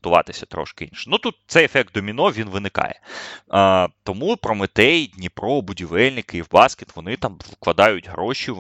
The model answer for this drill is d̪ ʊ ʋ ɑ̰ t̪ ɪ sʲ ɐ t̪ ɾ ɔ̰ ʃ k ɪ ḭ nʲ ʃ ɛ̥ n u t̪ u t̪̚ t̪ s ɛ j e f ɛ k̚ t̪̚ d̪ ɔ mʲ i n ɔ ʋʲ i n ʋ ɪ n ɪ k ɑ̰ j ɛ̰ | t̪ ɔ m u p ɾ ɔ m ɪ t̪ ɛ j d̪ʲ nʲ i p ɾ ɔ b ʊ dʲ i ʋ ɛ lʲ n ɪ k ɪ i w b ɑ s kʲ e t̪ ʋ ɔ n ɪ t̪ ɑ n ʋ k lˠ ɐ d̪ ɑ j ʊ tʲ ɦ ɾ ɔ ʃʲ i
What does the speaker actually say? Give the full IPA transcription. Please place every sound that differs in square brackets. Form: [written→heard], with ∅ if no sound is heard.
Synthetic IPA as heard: [d̪→t̪] ʊ ʋ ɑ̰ t̪ ɪ sʲ ɐ t̪ ɾ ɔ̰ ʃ k ɪ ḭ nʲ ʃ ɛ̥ n u t̪ u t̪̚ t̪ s ɛ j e f ɛ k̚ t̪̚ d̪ ɔ mʲ i n ɔ ʋʲ i n ʋ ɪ n ɪ k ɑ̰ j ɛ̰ | t̪ ɔ m u p ɾ ɔ m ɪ t̪ ɛ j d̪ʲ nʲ i p ɾ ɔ b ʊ dʲ i ʋ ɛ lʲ n ɪ k ɪ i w b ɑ s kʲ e t̪ ʋ ɔ n ɪ t̪ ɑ [n→m] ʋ k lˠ ɐ d̪ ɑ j ʊ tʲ ɦ ɾ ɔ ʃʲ i